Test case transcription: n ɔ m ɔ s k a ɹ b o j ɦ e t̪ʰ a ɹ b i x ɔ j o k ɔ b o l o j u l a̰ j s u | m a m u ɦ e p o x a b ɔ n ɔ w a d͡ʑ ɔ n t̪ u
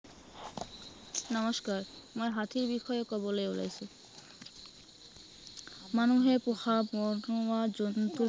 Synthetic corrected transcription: n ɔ m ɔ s k a ɹ m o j ɦ a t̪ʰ i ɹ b i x ɔ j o k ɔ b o l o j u l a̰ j s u | m a n u ɦ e p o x a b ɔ n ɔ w a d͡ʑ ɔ n t̪ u